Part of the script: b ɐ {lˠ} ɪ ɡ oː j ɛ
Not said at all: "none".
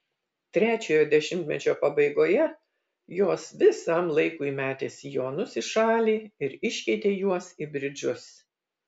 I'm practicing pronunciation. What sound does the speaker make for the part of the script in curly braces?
none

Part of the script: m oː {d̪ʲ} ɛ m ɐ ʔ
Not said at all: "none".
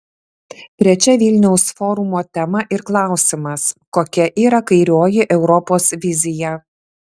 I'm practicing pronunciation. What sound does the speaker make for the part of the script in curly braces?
t̪ʲ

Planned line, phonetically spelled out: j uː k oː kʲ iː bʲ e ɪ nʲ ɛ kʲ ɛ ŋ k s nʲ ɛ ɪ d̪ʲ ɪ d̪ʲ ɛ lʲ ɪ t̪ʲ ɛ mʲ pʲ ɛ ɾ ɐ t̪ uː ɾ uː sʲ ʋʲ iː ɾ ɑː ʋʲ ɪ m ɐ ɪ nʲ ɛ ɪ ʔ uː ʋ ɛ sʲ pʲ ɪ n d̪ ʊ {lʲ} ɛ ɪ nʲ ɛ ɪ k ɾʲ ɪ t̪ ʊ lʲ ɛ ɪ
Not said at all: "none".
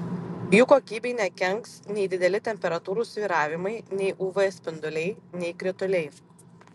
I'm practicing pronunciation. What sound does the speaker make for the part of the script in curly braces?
lʲ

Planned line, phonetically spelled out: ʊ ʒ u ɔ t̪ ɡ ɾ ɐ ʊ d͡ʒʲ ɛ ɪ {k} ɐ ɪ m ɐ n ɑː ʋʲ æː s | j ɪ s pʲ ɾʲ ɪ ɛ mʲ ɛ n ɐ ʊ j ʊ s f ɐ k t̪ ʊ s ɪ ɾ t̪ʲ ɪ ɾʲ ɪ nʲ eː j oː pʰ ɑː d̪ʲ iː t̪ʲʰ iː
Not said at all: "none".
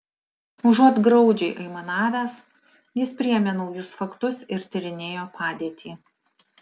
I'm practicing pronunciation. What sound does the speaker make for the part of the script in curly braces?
ʔ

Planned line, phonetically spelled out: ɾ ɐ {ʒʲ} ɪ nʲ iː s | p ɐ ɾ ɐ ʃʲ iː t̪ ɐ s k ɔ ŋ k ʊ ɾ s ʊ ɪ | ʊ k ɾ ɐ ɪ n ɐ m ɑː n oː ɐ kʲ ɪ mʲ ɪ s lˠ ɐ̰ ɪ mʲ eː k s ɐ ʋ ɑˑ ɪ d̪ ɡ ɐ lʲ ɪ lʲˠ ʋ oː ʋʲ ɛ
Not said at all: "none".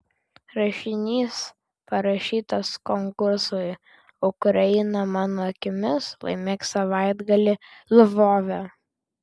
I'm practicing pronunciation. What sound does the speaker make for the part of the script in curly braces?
ʃʲ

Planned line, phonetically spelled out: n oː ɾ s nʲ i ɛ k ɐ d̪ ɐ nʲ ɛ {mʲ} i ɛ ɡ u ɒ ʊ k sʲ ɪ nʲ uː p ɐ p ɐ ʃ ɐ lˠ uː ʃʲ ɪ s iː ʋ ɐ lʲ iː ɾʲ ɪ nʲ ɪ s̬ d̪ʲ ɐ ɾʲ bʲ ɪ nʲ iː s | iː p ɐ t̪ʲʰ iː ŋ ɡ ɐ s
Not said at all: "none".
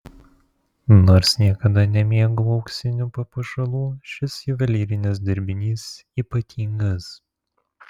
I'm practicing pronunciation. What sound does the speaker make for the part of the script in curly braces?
mʲ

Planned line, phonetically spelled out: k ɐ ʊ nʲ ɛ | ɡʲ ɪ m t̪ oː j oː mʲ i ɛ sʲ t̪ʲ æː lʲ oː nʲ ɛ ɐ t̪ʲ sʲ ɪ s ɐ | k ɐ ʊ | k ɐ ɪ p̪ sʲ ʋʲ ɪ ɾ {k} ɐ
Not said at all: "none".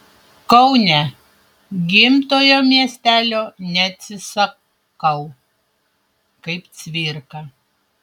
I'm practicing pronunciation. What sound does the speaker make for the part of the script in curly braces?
k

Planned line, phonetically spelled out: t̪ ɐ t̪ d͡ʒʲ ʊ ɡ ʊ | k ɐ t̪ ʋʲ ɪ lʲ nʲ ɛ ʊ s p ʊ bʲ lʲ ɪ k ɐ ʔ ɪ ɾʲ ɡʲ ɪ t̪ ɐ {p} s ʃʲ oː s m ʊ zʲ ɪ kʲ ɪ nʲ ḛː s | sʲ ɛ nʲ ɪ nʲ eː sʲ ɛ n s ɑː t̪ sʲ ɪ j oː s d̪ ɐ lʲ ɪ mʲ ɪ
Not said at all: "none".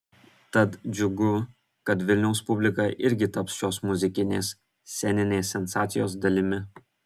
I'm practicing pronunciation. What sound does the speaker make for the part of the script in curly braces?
p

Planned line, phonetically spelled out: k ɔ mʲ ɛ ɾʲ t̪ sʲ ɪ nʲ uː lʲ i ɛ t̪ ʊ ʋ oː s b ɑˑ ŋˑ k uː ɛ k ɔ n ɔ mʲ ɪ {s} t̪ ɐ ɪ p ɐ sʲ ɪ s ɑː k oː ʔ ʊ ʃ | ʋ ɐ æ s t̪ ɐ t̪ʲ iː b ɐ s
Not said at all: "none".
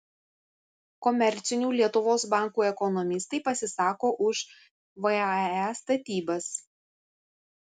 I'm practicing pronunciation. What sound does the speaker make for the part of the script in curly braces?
s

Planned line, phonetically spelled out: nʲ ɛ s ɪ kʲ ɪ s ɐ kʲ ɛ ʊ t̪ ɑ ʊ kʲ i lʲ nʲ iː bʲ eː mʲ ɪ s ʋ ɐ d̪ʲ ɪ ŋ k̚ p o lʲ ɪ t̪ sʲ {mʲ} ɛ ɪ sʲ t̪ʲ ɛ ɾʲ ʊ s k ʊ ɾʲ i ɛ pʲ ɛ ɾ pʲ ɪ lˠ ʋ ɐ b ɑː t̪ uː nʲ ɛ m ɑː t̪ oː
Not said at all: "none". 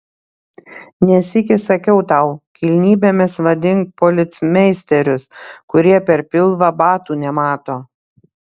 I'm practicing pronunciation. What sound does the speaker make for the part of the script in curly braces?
mʲ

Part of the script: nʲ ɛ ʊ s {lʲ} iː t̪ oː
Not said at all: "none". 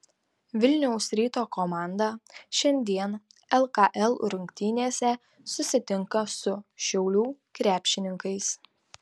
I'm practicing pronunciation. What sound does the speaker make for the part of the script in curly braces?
ɾʲ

